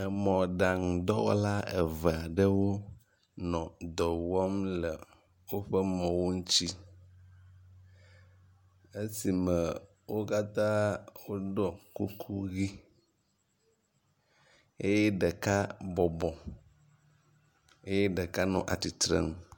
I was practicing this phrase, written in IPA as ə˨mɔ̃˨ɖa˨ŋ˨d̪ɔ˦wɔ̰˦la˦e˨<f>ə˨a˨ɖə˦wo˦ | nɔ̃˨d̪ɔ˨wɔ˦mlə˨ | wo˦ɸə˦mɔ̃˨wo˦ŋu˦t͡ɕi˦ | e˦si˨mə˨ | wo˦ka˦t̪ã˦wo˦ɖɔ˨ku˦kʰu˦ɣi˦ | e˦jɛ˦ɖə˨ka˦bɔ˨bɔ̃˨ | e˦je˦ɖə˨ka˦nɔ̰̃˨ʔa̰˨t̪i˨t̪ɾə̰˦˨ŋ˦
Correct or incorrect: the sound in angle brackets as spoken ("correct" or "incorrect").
incorrect